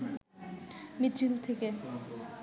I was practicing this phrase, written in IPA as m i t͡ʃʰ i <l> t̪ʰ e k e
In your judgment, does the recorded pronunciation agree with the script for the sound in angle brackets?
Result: yes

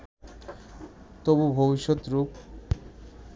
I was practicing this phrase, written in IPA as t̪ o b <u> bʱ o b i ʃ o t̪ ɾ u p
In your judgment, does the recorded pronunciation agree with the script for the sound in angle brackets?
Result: yes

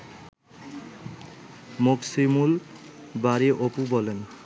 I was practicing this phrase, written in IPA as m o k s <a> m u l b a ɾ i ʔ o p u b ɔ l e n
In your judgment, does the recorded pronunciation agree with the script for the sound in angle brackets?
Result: no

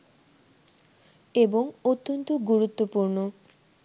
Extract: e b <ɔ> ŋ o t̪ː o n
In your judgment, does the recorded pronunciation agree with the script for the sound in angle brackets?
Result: no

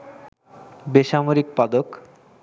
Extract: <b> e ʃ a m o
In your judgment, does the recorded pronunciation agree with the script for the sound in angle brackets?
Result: yes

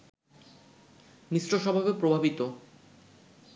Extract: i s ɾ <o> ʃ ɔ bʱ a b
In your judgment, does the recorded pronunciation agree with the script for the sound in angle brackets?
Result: yes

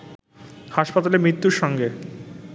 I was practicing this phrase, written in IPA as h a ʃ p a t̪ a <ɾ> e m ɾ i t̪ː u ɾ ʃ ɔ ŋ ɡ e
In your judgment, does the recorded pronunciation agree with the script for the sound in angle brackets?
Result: no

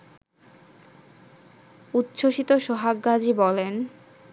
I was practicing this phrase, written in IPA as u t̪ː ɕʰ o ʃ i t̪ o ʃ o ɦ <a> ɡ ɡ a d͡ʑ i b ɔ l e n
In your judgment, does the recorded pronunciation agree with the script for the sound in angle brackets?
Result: yes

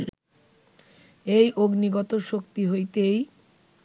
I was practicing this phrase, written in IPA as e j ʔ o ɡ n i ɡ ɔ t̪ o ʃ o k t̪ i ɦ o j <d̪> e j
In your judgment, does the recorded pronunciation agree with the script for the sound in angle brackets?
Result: no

